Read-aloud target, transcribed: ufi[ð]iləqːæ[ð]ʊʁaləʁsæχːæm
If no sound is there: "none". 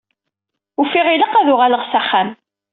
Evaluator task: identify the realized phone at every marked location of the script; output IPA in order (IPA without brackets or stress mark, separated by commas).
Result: ʁ, ð